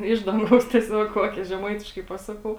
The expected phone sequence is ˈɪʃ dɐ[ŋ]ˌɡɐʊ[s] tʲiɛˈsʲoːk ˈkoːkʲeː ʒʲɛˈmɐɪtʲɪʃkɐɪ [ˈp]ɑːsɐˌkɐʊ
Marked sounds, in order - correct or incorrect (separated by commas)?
correct, correct, correct